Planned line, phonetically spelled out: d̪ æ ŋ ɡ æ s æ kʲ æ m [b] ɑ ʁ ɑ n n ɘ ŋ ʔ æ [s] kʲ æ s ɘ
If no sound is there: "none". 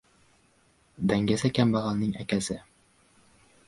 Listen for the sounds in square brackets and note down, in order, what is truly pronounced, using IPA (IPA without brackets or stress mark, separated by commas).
b, none